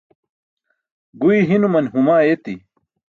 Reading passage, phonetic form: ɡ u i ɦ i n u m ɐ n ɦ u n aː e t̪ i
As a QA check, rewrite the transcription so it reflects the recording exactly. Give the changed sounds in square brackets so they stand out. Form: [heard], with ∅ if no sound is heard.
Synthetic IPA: ɡ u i ɦ i n u m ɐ n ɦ u [m] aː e t̪ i